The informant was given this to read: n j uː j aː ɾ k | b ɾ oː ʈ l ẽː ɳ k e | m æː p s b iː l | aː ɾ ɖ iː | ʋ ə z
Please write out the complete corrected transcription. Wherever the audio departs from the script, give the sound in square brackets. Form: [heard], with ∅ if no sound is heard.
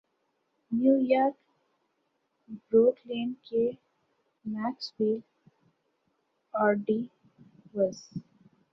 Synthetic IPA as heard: n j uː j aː ɾ k | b ɾ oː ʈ l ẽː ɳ k e | m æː [k] s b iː l | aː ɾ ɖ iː | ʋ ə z

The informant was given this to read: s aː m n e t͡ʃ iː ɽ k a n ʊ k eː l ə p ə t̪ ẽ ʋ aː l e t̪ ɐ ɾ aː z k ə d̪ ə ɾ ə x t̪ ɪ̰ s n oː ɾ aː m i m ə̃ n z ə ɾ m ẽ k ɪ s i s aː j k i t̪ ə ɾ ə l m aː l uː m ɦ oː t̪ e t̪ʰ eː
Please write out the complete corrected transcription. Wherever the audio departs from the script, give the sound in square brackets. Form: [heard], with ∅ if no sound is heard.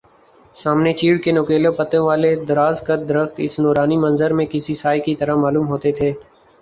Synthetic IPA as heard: s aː m n e t͡ʃ iː ɽ k [e] n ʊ k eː l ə p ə t̪ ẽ ʋ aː l e [d̪] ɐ ɾ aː z k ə d̪ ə ɾ ə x t̪ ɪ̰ s n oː ɾ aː [n] i m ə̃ n z ə ɾ m ẽ k ɪ s i s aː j k i t̪ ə ɾ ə [∅] m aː l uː m ɦ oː t̪ e t̪ʰ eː

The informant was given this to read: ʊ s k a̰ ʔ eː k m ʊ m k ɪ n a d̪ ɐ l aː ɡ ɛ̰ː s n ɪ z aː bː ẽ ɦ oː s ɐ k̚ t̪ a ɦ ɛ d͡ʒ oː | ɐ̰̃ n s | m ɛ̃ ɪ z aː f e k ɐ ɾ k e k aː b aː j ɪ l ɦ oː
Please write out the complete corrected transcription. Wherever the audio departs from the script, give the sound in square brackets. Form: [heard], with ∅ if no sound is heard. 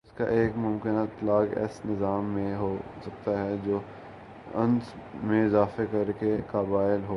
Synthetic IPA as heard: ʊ s k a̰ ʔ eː k m ʊ m k ɪ n a [t̪] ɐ l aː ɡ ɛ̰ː s n ɪ z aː [mː] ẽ ɦ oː s ɐ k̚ t̪ a ɦ ɛ d͡ʒ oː | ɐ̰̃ n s | m [ẽ] ɪ z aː f e k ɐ ɾ k e k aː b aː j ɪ l ɦ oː

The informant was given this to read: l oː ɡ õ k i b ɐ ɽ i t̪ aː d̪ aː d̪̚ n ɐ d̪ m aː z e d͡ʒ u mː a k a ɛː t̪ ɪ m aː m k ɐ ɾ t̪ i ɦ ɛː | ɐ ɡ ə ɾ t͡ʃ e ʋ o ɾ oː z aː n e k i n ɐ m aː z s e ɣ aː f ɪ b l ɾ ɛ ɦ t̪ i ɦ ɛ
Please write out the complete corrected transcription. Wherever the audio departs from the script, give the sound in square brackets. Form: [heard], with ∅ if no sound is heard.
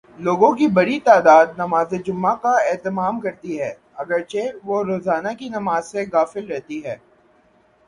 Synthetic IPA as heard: l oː ɡ õ k i b ɐ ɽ i t̪ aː d̪ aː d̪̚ n ɐ [∅] m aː z e d͡ʒ [ʊ] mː a k a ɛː t̪ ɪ m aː m k ɐ ɾ t̪ i ɦ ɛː | ɐ ɡ ə ɾ t͡ʃ e ʋ o ɾ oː z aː n [a] k i n ɐ m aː z s e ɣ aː f ɪ [∅] l ɾ ɛ ɦ t̪ i ɦ [ɛː]

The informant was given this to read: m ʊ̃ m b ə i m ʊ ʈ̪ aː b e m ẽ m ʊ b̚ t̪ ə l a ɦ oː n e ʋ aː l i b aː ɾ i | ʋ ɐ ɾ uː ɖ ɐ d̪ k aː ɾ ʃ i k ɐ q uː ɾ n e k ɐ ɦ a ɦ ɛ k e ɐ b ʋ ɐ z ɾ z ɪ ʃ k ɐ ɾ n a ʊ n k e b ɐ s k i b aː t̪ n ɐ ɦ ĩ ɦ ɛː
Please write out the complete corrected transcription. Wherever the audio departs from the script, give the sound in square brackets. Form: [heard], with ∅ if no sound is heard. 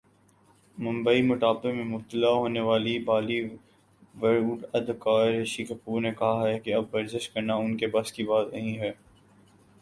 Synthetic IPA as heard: m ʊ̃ m b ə i m ʊ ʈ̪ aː b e m ẽ m ʊ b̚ t̪ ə l a ɦ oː n e ʋ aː l i b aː [l] i | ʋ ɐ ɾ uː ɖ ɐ d̪ k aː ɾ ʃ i k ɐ [p] uː ɾ n e k ɐ ɦ a ɦ ɛ k e ɐ b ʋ ɐ [∅] ɾ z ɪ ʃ k ɐ ɾ n a ʊ n k e b ɐ s k i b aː t̪ n ɐ ɦ ĩ ɦ ɛː

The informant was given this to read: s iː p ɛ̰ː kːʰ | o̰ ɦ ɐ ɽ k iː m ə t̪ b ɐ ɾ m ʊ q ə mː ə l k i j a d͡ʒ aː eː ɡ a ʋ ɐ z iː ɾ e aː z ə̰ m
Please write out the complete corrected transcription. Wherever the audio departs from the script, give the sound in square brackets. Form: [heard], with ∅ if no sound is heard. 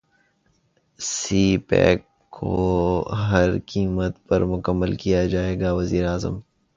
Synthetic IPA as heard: s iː p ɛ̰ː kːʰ | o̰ ɦ ɐ [ɾ] k iː m ə t̪ [p] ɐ ɾ m ʊ [k] ə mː ə l k i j a d͡ʒ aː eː ɡ a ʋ ɐ z iː ɾ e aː z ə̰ m

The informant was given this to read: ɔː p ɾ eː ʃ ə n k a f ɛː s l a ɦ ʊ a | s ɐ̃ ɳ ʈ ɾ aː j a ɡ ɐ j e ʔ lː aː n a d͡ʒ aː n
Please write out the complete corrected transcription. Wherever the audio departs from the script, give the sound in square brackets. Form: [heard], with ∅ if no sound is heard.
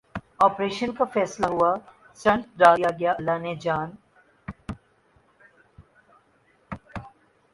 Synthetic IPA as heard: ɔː p ɾ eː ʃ ə n k a f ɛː s l a ɦ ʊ a | s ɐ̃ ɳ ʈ ɾ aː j a ɡ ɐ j [a] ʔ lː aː n [e] d͡ʒ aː n

